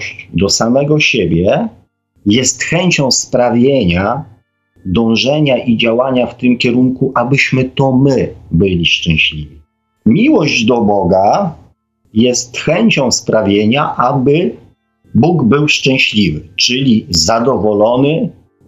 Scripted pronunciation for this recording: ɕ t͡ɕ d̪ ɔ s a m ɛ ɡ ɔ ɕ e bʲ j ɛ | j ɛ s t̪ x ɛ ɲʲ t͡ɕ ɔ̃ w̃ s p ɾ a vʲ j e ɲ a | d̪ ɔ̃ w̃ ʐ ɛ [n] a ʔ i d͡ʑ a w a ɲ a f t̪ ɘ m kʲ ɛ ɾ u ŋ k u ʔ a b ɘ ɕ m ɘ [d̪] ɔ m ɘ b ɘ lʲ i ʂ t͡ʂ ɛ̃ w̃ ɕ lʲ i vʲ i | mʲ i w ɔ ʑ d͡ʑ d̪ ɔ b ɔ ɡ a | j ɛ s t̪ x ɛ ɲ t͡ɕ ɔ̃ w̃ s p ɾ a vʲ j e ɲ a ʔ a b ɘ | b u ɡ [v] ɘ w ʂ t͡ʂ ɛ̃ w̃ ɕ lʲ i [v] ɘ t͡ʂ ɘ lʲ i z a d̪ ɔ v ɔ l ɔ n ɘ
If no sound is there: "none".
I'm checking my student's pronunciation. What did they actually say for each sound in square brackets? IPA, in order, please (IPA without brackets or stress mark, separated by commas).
ɲ, t̪, b, v